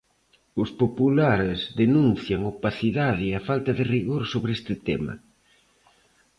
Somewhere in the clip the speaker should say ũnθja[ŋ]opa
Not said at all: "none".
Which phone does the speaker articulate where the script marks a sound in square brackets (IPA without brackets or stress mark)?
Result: ŋ